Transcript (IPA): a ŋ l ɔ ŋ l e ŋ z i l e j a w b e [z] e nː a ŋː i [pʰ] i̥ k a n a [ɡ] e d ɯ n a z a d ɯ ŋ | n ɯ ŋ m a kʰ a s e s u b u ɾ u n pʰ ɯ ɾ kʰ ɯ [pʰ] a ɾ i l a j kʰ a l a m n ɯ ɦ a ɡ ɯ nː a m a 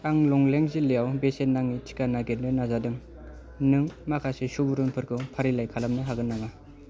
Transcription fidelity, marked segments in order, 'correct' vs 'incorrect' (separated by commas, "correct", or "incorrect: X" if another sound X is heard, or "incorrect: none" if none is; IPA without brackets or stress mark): incorrect: s, incorrect: tʰ, correct, correct